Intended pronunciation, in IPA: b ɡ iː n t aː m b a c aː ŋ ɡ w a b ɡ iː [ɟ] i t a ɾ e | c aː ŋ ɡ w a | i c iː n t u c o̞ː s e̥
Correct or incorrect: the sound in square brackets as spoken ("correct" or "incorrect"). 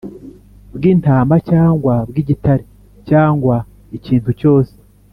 correct